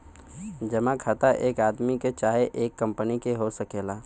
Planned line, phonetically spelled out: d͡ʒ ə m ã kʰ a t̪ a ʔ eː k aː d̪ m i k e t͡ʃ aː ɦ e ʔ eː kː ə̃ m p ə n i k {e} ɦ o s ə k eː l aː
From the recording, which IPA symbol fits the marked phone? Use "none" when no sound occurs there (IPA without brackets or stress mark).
e